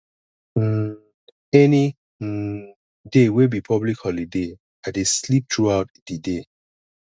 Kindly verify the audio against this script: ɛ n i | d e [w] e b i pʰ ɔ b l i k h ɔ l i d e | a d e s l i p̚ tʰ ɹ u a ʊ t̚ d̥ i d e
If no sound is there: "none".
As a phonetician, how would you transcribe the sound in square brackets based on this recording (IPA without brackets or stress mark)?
w